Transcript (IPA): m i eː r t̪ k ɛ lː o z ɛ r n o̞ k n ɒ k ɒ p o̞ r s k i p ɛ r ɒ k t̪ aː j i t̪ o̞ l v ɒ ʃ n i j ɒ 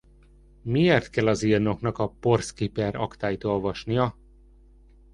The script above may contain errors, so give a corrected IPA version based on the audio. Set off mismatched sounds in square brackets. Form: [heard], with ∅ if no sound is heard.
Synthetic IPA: m i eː r t̪ k ɛ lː [ɒ] z [i] r n o̞ k n ɒ k ɒ p o̞ r s k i p ɛ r ɒ k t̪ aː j i t̪ o̞ l v ɒ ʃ n i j ɒ